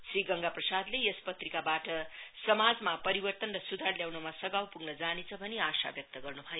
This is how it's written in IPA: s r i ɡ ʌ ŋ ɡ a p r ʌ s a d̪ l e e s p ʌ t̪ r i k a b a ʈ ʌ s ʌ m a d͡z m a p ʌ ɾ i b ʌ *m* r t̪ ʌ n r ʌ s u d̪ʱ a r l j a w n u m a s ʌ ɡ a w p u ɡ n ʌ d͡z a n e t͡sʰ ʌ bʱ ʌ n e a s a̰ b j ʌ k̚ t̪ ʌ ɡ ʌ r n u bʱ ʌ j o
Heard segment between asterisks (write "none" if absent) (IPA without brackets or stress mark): none